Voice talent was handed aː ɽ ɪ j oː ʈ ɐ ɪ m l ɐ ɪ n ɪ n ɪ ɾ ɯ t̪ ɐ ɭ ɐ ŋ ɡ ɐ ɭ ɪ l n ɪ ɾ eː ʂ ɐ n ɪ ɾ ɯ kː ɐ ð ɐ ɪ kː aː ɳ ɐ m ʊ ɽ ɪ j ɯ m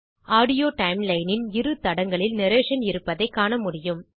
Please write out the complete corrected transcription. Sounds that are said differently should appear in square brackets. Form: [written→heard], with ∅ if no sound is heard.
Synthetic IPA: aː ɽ ɪ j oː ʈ ɐ ɪ m l ɐ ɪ n ɪ n ɪ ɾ ɯ t̪ ɐ [ɭ→ɽ] ɐ ŋ ɡ ɐ ɭ ɪ l n ɪ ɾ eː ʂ ɐ n ɪ ɾ ɯ [kː→pː] ɐ ð ɐ ɪ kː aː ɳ ɐ m ʊ ɽ ɪ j ɯ m